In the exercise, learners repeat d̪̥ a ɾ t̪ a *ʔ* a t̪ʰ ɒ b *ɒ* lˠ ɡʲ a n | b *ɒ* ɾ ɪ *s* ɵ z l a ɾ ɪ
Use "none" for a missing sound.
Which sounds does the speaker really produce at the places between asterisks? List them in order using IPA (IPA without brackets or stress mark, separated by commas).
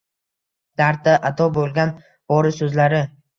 ʔ, o, ɒ, s